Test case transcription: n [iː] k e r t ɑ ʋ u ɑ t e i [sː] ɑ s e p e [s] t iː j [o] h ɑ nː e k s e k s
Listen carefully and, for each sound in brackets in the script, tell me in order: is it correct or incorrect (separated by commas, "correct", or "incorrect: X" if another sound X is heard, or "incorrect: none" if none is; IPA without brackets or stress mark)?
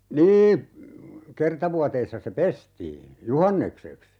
correct, correct, correct, incorrect: u